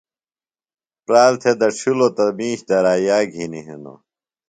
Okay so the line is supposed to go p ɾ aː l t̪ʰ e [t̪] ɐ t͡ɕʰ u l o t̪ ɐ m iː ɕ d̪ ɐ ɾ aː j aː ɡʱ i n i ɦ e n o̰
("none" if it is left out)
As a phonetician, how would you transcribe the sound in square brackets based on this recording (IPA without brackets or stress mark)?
d̪